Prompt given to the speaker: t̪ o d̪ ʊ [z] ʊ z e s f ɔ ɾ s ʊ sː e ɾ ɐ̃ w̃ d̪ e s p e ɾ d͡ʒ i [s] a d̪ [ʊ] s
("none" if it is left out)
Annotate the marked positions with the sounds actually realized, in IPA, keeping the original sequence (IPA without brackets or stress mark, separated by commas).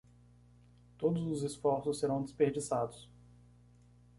z, s, ʊ